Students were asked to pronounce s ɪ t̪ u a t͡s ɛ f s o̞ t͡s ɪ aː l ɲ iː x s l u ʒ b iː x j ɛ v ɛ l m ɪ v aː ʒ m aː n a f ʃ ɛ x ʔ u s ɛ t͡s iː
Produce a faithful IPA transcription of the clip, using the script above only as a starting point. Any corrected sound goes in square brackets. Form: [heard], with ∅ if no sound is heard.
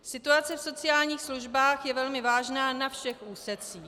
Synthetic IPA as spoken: s ɪ t̪ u a t͡s ɛ f s o̞ t͡s ɪ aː l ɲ iː x s l u ʒ b [aː] x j ɛ v ɛ l m ɪ v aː ʒ [n] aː n a f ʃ ɛ x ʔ [uː] s ɛ t͡s iː